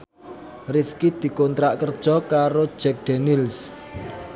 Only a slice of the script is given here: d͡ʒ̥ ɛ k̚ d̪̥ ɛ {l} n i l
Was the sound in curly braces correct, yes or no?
no